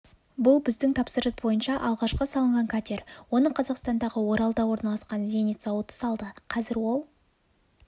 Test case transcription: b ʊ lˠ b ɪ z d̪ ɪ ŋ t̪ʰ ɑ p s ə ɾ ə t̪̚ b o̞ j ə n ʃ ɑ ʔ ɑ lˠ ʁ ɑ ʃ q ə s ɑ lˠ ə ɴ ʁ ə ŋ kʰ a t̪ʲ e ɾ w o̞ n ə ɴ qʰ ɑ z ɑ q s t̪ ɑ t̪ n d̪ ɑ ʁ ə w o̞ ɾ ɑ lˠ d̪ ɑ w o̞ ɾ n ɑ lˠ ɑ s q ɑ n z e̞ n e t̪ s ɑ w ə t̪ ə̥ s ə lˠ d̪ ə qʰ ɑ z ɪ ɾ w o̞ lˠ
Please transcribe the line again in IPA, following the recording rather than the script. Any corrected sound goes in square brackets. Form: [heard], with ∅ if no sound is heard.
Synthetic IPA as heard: b ʊ lˠ b ɪ z d̪ ɪ ŋ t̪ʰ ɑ p s ə ɾ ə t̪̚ b o̞ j ə n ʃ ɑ ʔ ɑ lˠ ʁ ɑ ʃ q ə s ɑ lˠ ə ɴ ʁ [ɑ] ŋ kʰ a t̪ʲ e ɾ w o̞ n ə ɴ qʰ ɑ z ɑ q s t̪ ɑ [∅] n d̪ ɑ ʁ ə w o̞ ɾ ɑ lˠ d̪ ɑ w o̞ ɾ n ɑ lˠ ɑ s q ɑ n z e̞ n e t̪ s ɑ w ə t̪ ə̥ s [ɑ] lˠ d̪ ə qʰ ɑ z ɪ ɾ w o̞ lˠ

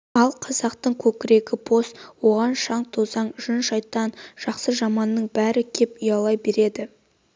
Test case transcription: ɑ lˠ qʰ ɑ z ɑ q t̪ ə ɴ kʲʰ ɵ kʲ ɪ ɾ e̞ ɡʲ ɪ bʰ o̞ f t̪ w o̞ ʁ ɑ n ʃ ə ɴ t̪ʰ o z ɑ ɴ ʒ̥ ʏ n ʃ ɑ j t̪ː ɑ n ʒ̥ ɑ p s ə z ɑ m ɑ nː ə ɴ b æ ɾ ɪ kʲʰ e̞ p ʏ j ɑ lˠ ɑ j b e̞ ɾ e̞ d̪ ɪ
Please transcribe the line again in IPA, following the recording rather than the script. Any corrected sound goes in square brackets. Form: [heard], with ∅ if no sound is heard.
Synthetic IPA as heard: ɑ lˠ qʰ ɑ z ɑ q t̪ ə ɴ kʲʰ ɵ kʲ ɪ ɾ e̞ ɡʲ ɪ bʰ o̞ [s] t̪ w o̞ ʁ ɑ n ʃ [ɑ] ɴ t̪ʰ o z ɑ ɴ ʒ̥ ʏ n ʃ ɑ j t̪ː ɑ n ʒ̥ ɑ [q] s ə [ʒ] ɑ m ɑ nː ə ɴ b æ ɾ ɪ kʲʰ e̞ p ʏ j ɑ lˠ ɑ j b e̞ ɾ e̞ d̪ ɪ

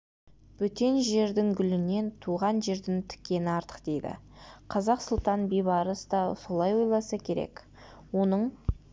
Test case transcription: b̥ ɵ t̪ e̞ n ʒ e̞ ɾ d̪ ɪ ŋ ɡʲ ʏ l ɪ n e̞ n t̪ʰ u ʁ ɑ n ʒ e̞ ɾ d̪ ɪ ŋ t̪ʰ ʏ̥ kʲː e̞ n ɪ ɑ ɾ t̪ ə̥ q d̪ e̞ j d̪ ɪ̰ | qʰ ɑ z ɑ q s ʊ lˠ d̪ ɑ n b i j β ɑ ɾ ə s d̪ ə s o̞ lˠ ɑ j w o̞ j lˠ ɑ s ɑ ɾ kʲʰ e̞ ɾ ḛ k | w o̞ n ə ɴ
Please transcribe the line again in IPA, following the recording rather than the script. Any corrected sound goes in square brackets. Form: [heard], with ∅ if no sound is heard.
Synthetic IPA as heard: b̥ ɵ t̪ e̞ n ʒ e̞ ɾ d̪ ɪ ŋ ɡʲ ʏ l ɪ n e̞ n t̪ʰ u ʁ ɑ n ʒ e̞ ɾ d̪ ɪ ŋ t̪ʰ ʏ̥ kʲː e̞ n ɪ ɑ ɾ t̪ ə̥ q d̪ e̞ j d̪ ɪ̰ | qʰ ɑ z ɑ q s ʊ lˠ [t̪] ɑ n b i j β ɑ ɾ ə s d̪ [ɑ] s o̞ lˠ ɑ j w o̞ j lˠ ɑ s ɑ [∅] kʲʰ e̞ ɾ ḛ k | w o̞ n ə ɴ

